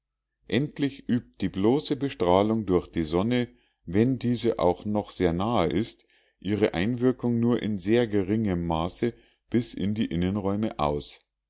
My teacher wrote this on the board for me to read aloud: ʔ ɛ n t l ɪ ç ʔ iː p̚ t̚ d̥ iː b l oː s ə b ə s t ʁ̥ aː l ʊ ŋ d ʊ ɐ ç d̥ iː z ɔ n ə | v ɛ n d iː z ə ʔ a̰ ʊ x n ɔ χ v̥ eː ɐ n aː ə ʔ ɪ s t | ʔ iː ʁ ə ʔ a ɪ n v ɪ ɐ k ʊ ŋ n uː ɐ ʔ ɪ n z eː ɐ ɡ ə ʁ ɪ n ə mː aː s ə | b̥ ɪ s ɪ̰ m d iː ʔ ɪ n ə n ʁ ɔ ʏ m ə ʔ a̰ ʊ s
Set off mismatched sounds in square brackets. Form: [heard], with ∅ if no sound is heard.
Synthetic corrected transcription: ʔ ɛ n t l ɪ ç ʔ [yː] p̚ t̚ d̥ iː b l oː s ə b ə [ʃ] t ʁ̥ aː l ʊ ŋ d ʊ ɐ ç d̥ iː z ɔ n ə | v ɛ n d iː z ə ʔ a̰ ʊ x n ɔ χ [z̥] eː ɐ n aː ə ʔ ɪ s t | ʔ iː ʁ ə ʔ a ɪ n v ɪ ɐ k ʊ ŋ n uː ɐ ʔ ɪ n z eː ɐ ɡ ə ʁ ɪ [ŋ] ə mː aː s ə | b̥ ɪ s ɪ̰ [n] d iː ʔ ɪ n ə n ʁ ɔ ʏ m ə ʔ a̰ ʊ s

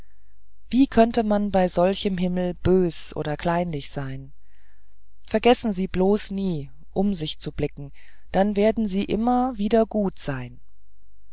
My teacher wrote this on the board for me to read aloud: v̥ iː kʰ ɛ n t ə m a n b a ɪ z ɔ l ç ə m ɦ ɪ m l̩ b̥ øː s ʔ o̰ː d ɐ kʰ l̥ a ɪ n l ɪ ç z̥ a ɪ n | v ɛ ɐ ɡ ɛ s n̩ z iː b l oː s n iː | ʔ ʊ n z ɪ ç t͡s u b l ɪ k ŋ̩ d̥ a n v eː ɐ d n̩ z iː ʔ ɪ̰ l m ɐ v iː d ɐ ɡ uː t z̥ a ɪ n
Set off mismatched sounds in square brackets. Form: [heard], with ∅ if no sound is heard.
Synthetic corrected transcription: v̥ iː kʰ [œ] n t ə m a n b a ɪ z ɔ l ç ə m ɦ ɪ m l̩ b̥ øː s ʔ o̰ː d ɐ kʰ l̥ a ɪ n l ɪ ç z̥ a ɪ n | [f] ɛ ɐ ɡ ɛ s n̩ z iː b l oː s n iː | ʔ ʊ [m] z ɪ ç t͡s u b l ɪ k ŋ̩ d̥ a n v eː ɐ d n̩ z iː ʔ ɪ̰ [∅] m ɐ v iː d ɐ ɡ uː t z̥ a ɪ n

